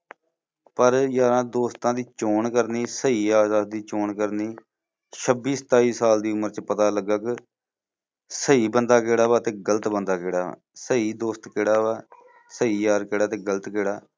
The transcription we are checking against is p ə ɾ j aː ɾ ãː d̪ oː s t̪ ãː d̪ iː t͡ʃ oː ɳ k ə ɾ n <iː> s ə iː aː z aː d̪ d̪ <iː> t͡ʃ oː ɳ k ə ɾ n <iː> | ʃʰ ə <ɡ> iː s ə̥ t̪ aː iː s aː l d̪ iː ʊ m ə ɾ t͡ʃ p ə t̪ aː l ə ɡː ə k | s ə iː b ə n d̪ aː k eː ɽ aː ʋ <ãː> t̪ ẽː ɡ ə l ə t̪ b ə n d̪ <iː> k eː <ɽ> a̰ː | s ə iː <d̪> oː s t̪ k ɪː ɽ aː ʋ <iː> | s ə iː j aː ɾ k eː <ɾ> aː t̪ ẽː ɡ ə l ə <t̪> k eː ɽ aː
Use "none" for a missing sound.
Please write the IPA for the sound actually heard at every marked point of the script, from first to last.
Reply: iː, iː, iː, b, aː, aː, ɽ, d̪, aː, ɽ, t̪

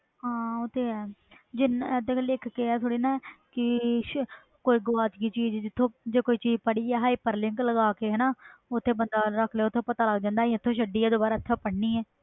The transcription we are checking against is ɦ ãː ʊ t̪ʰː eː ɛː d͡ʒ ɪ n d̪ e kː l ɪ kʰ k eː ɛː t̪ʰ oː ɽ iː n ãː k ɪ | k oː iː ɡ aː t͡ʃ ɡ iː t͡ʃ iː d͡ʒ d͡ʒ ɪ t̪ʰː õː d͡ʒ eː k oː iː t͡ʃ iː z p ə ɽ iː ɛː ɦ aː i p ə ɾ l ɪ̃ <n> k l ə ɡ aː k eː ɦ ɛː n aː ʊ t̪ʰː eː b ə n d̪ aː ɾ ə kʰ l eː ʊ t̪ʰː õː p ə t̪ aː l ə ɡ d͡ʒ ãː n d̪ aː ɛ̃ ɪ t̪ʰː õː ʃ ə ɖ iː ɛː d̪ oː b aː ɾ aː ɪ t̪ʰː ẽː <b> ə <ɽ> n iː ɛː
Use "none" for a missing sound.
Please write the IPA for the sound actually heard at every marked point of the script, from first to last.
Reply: ŋ, p, ɽ

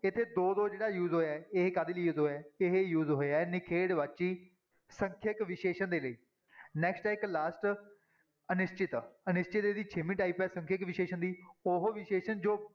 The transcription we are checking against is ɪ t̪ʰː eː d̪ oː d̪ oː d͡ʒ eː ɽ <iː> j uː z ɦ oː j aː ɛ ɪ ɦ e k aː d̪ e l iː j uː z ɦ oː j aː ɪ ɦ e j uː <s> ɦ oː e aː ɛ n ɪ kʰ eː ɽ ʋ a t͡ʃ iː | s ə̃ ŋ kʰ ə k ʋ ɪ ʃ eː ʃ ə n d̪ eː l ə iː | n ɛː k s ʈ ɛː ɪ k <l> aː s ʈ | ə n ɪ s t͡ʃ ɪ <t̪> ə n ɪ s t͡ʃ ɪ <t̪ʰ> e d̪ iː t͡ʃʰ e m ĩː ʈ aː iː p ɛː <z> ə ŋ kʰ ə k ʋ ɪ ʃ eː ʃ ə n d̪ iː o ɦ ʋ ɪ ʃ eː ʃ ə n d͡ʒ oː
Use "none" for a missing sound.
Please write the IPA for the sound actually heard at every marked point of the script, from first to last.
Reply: aː, z, l, t̪, t̪, s

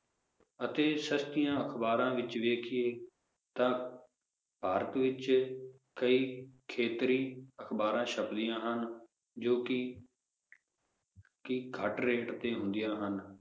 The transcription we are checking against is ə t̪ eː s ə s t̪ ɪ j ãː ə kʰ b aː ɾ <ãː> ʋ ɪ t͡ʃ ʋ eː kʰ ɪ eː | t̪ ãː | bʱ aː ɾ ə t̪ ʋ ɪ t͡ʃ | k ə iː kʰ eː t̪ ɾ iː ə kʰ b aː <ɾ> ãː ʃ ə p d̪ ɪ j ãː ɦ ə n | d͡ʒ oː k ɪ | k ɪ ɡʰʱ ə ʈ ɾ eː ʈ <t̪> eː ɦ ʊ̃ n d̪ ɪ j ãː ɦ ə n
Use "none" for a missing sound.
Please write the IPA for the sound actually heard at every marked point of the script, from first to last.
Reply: ãː, ɾ, t̪

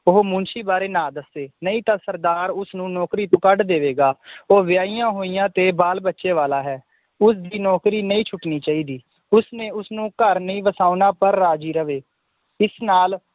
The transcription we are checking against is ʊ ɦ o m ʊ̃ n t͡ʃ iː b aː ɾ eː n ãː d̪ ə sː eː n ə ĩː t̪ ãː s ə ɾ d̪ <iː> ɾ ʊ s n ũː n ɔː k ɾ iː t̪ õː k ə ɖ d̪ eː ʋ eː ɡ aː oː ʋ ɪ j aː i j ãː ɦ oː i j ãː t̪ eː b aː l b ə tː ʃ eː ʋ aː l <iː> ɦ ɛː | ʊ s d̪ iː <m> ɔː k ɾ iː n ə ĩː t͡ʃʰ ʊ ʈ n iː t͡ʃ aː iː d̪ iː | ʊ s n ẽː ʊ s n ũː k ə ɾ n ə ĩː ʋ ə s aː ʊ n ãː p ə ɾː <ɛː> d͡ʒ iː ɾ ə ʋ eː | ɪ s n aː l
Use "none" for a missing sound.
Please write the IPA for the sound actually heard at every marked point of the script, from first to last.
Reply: aː, aː, n, aː

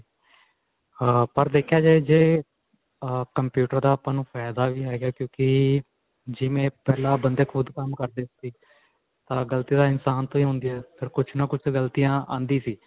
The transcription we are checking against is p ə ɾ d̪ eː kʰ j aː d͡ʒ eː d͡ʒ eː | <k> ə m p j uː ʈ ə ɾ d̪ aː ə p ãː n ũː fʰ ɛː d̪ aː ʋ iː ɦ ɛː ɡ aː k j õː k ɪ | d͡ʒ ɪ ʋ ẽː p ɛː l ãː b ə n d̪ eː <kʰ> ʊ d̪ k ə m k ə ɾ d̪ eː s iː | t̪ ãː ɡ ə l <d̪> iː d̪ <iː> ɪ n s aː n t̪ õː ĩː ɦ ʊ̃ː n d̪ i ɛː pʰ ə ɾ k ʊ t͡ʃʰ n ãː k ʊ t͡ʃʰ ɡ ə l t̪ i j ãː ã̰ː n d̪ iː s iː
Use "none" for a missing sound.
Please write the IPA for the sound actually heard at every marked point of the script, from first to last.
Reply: k, kʰ, t̪, aː

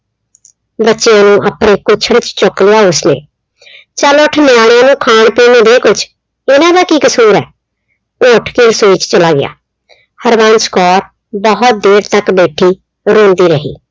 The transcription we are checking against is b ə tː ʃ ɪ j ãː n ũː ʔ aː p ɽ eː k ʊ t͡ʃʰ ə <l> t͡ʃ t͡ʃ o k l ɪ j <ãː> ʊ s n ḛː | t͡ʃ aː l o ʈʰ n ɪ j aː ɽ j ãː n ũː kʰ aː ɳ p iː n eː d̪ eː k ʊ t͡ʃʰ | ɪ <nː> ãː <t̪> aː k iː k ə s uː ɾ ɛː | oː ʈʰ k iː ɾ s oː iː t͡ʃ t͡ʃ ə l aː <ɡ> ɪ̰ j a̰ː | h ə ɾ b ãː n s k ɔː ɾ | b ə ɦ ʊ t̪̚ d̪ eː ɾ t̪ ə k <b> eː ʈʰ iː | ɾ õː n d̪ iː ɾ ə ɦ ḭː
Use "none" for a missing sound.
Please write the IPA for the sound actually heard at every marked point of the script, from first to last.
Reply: ɽ, aː, n, d̪, ɡ, b

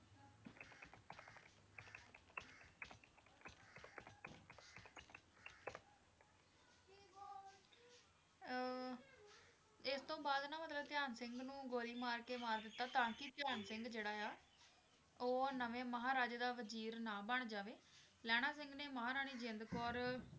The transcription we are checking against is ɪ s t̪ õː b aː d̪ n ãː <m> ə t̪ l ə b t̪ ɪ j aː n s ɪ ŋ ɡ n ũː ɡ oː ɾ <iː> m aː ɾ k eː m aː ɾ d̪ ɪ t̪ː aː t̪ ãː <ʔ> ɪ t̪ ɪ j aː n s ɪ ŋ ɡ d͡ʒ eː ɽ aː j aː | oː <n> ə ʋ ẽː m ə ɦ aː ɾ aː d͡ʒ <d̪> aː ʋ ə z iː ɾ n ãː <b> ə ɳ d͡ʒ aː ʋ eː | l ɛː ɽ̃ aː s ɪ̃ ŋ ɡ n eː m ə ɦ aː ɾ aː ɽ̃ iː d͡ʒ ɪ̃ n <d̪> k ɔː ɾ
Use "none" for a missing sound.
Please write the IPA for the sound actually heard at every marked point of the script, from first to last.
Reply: m, iː, k, n, d̪, b, d̪

